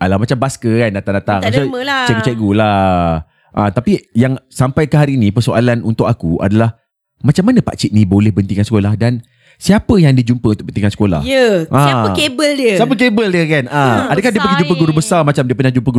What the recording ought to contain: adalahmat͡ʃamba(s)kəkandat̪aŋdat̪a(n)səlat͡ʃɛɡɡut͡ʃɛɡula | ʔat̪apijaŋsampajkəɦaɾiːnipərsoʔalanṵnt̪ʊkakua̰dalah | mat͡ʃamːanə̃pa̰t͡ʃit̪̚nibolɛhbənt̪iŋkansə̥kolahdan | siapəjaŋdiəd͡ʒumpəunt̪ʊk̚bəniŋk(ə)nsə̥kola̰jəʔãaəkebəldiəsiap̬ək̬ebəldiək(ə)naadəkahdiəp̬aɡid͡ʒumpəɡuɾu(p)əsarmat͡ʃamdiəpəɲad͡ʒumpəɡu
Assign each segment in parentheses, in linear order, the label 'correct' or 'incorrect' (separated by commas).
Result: correct, incorrect, incorrect, incorrect, incorrect